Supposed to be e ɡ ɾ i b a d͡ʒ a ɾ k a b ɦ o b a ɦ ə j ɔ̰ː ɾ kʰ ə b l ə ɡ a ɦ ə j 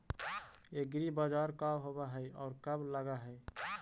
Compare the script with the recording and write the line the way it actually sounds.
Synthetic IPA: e ɡ ɾ i b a d͡ʒ a ɾ k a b ɦ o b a ɦ ə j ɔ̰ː ɾ k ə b l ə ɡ a ɦ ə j